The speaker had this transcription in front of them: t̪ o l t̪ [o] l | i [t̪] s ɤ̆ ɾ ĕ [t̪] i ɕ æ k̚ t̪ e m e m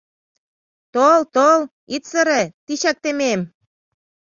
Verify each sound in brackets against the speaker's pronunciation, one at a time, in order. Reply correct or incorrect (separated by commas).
correct, correct, correct